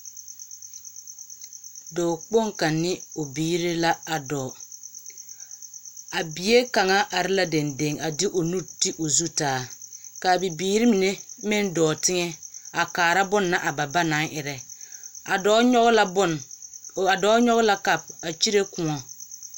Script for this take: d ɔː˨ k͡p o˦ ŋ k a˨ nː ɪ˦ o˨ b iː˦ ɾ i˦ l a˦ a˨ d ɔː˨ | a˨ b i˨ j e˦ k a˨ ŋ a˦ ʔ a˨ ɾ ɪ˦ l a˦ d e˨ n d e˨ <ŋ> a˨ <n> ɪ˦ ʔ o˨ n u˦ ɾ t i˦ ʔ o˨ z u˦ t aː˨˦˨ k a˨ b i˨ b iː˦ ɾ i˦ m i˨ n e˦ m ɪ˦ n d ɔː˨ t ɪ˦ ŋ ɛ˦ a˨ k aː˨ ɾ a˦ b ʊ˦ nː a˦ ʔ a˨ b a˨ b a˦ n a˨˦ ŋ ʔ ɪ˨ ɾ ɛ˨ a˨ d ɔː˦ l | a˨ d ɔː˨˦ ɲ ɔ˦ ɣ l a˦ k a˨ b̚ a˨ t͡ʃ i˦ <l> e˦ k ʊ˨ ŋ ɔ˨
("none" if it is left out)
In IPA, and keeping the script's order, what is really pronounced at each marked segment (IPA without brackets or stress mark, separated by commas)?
ŋ, d, ɾ